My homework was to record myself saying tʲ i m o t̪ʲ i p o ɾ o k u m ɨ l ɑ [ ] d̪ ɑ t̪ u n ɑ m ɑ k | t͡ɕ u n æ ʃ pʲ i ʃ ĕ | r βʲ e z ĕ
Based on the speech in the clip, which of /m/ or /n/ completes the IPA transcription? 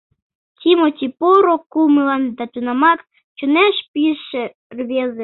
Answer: n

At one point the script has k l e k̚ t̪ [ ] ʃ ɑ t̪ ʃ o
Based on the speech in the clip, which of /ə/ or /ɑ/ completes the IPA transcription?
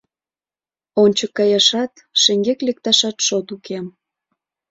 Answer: ɑ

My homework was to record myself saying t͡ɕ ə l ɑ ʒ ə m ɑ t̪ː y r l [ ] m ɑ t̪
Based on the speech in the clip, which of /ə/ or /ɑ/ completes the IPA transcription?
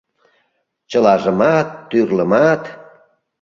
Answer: ə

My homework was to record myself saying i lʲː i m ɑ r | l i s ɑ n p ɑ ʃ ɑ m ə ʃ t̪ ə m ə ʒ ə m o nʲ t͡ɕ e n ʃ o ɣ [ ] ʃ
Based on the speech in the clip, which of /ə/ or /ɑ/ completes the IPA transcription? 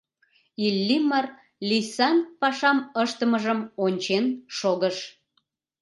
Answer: ə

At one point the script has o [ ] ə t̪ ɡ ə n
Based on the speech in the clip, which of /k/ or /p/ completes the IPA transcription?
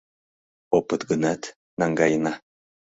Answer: p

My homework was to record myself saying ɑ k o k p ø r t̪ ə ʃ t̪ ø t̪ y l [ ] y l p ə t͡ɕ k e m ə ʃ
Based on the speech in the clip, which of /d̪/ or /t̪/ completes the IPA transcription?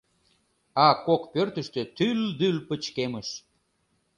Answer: d̪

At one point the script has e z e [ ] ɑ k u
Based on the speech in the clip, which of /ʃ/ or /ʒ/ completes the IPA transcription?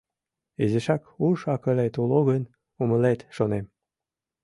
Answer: ʃ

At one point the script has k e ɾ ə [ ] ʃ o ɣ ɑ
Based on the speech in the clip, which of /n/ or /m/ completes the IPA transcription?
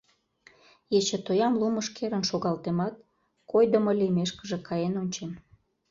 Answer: n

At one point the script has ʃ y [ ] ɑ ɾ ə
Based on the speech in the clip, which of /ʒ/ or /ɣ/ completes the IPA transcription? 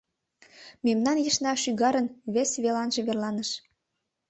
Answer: ɣ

